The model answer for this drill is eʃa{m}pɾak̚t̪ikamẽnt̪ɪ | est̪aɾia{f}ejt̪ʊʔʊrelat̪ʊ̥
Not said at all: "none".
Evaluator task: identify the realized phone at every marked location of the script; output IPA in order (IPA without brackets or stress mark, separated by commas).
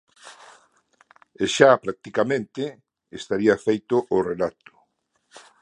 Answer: none, f